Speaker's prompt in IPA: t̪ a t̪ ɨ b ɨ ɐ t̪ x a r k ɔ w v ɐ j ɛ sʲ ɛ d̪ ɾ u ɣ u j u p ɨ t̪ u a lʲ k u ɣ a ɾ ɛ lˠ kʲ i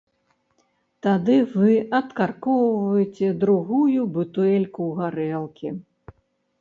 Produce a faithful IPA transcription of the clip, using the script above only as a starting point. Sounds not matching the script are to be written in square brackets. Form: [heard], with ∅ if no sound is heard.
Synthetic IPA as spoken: t̪ a [d̪] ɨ [v] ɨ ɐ t̪ [k] a r k ɔ w v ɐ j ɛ [t͡sʲ] ɛ d̪ ɾ u ɣ u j u [b] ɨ t̪ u [ɛ] lʲ k u ɣ a ɾ ɛ lˠ kʲ i